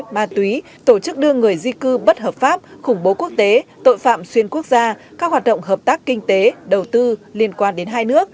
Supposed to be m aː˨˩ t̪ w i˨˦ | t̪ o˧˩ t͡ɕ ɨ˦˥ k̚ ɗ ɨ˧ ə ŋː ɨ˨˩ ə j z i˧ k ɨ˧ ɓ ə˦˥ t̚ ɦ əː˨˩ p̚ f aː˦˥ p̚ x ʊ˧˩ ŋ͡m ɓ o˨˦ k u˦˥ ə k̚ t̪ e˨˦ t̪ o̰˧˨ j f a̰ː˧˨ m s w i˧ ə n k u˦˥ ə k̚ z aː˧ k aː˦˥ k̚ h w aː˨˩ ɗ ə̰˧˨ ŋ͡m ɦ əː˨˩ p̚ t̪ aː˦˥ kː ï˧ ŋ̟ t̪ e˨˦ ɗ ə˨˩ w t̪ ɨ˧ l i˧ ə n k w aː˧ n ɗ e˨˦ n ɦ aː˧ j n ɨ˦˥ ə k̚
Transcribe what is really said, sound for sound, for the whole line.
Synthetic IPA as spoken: m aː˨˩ t̪ w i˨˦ | t̪ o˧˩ t͡ɕ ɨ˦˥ k̚ ɗ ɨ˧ ə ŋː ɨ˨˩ ə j z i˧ k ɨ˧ ɓ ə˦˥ t̚ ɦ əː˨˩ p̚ f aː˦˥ p̚ x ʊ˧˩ ŋ͡m ɓ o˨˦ k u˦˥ ə k̚ t̪ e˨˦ t̪ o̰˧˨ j f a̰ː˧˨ m s w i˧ ə n k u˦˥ ə k̚ z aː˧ k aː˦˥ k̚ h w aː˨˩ ɗ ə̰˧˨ ŋ͡m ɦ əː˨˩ p̚ t̪ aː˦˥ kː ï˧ ŋ̟ t̪ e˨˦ ɗ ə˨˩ w t̪ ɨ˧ l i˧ ə n k w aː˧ n ɗ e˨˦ n ɦ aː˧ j n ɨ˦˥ ə k̚